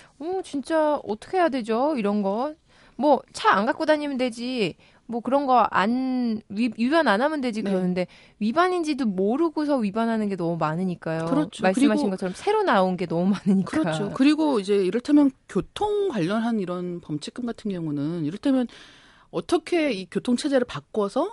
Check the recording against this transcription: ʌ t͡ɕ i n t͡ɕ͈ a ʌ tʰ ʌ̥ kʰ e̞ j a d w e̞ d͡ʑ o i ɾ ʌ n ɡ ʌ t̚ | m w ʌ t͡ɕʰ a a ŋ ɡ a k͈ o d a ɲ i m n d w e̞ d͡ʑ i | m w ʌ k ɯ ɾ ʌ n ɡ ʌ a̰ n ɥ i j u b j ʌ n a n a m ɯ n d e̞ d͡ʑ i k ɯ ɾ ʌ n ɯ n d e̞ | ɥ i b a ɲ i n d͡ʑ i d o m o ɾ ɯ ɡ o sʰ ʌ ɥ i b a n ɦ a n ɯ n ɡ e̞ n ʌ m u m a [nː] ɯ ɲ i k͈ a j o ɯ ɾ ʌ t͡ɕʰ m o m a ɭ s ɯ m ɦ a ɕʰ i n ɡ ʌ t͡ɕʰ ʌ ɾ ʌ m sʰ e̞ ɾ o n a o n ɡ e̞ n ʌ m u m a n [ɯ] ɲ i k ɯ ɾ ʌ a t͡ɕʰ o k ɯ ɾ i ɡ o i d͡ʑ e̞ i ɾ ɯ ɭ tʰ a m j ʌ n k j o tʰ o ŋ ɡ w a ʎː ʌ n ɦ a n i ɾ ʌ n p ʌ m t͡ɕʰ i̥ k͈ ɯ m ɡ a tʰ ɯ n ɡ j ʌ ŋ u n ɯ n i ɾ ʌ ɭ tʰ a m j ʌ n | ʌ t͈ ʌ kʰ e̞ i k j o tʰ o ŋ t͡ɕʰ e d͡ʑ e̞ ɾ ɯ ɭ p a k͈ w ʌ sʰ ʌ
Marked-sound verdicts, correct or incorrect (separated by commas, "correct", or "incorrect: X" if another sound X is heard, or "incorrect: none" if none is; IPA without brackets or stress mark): incorrect: n, correct